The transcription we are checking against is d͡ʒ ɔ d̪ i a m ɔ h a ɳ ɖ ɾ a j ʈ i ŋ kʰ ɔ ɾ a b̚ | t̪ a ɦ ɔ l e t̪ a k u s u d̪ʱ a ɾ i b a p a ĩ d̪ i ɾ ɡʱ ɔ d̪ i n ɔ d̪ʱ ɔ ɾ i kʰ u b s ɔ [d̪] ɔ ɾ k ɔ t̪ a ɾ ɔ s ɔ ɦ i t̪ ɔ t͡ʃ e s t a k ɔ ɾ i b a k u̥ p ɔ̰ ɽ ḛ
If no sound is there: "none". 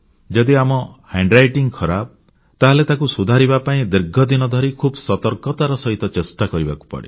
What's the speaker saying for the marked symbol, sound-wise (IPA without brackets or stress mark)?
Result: t̪